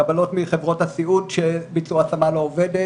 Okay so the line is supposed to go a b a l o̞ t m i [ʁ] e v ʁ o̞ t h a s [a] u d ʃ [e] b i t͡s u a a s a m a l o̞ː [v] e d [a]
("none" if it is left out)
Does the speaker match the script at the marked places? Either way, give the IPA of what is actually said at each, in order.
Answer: χ, i, e, v, e

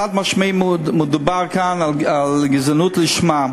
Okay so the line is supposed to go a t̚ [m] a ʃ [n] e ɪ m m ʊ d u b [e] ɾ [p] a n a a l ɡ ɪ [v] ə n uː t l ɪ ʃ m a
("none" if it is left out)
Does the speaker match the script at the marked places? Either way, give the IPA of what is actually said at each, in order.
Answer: m, m, a, k, z

